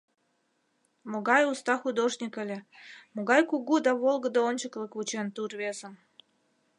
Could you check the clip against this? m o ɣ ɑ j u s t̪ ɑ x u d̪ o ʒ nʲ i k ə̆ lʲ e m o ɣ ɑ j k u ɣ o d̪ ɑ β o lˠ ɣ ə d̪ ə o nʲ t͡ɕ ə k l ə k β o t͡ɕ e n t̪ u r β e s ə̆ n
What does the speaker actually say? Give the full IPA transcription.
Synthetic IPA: m o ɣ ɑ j u s t̪ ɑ x u d̪ o ʒ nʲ i k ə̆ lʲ e m o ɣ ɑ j k u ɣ u d̪ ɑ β o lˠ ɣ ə d̪ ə o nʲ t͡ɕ ə k l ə k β u t͡ɕ e n t̪ u r β e z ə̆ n